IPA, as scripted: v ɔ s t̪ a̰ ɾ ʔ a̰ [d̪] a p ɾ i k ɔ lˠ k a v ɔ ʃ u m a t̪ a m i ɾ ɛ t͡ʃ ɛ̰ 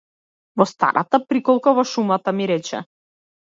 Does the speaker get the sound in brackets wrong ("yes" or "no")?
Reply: yes